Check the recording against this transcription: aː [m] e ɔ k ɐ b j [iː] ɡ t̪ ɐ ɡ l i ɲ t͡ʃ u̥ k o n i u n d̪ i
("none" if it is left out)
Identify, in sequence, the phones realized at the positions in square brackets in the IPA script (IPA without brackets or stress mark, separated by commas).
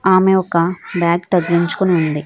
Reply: m, aː